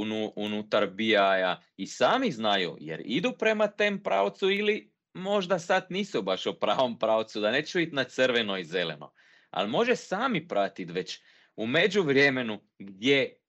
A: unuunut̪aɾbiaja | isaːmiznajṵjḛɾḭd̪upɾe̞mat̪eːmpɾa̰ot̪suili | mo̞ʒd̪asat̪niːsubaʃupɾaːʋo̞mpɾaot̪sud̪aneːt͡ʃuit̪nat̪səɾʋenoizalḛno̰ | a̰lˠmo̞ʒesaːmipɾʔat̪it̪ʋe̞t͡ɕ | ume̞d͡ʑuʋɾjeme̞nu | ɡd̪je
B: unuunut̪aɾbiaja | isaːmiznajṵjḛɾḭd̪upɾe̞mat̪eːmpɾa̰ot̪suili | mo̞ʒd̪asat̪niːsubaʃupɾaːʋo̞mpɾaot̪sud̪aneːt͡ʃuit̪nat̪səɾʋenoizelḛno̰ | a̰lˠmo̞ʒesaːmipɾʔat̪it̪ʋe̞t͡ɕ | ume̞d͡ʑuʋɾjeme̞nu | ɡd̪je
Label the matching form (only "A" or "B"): B